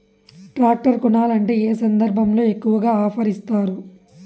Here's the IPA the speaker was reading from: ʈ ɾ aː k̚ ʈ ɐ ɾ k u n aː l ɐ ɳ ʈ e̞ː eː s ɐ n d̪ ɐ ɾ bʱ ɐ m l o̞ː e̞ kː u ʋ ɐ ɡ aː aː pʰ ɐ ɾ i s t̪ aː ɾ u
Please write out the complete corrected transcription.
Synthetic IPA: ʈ ɾ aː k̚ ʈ ɐ ɾ k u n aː l ɐ ɳ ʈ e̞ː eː s ɐ n d̪ ɐ ɾ bʱ ɐ m l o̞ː e̞ kː u ʋ ɐ ɡ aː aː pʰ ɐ ɾ i s t̪ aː ɾ u